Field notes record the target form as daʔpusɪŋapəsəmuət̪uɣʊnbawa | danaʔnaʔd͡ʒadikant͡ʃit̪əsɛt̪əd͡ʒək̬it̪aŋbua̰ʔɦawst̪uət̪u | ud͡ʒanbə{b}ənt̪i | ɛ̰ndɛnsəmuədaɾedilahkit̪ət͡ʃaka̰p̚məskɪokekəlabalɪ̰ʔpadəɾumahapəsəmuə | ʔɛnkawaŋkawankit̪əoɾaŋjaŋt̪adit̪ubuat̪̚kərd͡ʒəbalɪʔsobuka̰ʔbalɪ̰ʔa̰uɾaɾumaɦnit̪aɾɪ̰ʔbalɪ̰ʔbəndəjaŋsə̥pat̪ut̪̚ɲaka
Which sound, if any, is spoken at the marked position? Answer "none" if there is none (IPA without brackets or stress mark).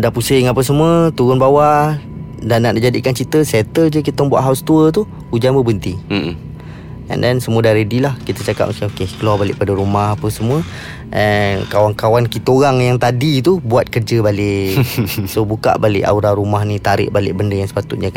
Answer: b